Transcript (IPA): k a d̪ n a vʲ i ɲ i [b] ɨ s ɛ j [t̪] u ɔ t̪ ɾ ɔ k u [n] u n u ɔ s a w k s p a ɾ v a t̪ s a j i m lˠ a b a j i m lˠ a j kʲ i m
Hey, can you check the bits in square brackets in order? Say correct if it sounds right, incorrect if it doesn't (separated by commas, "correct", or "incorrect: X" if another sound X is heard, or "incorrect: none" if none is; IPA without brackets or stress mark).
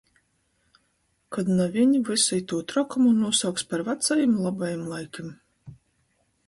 incorrect: v, correct, incorrect: m